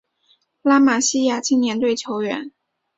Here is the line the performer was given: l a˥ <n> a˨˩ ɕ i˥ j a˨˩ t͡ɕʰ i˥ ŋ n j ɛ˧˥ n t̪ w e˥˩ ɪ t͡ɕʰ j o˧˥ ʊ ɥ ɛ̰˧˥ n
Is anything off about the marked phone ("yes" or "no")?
yes